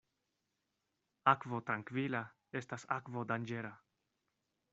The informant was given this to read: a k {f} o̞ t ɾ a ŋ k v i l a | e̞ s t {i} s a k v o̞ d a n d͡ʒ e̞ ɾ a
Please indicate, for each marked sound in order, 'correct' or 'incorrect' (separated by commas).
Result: incorrect, incorrect